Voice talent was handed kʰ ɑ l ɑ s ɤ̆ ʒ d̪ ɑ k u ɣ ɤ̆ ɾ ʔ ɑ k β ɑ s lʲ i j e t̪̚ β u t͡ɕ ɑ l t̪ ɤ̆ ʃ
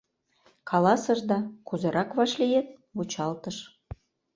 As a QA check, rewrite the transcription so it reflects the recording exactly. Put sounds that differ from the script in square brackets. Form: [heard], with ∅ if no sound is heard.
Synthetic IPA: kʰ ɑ l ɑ s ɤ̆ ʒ d̪ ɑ k u [z] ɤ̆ ɾ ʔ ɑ k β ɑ [ʃ] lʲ i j e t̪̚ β u t͡ɕ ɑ l t̪ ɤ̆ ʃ